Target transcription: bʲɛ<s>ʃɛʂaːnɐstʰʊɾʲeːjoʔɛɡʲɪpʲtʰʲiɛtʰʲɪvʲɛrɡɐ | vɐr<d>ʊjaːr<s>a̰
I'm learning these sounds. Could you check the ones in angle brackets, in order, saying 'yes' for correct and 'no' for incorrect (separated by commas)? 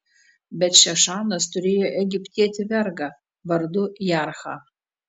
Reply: no, yes, no